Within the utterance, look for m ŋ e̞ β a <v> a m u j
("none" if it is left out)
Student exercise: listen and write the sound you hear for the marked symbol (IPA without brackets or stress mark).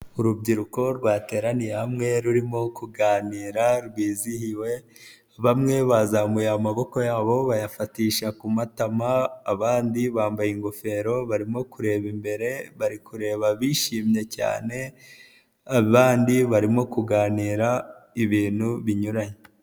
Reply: z